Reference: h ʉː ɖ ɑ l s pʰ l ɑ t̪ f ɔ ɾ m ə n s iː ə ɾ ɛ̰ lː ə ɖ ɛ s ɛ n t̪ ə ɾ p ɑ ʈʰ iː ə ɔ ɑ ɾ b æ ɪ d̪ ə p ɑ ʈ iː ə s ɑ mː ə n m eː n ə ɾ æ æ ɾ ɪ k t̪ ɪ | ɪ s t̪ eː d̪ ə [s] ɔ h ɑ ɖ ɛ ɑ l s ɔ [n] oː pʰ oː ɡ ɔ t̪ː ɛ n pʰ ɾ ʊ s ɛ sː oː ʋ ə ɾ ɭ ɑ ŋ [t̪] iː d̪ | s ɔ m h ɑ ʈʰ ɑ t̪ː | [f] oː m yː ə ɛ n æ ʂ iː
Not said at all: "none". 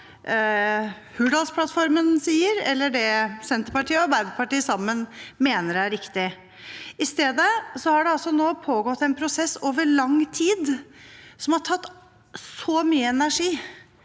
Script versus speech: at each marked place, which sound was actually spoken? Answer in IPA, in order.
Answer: s, n, t̪ʰ, s

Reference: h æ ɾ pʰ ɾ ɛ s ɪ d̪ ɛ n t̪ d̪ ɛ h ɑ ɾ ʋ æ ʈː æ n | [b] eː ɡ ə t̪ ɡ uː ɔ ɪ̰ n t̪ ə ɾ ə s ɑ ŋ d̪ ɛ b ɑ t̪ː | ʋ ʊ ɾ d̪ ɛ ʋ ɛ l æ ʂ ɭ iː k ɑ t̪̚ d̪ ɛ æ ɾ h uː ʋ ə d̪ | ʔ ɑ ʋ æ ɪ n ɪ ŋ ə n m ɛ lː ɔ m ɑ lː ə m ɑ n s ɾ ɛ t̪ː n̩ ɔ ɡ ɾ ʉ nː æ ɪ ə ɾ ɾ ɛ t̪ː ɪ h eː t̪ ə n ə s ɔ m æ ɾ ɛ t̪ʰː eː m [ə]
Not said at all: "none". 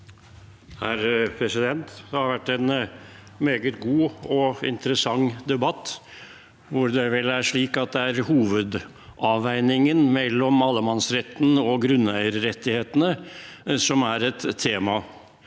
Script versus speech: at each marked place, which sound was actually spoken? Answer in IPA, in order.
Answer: m, ɑ

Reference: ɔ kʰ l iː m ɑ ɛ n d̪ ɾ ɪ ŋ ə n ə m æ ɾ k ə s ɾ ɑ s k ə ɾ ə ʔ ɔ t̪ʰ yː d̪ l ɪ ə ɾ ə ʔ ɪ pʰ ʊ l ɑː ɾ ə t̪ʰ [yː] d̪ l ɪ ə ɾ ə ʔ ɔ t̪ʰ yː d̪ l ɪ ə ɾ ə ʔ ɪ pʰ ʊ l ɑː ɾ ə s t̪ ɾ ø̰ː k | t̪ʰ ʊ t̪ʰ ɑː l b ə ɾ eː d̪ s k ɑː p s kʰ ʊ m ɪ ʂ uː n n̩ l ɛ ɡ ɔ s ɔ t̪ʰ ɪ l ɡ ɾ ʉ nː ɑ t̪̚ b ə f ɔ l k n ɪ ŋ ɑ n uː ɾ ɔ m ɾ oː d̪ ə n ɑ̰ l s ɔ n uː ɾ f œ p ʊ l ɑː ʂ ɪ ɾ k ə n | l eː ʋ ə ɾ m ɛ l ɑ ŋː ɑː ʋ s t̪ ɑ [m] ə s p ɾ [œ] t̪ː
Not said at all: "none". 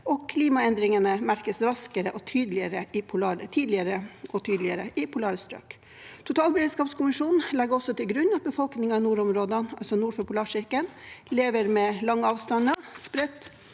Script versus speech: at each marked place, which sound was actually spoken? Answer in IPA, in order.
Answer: iː, n, ɛ

